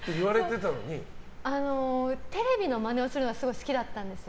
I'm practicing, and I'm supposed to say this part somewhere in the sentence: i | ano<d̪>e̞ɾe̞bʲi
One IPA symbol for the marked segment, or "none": t̪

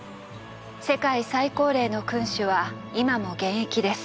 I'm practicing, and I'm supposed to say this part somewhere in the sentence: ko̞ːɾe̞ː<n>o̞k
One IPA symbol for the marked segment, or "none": n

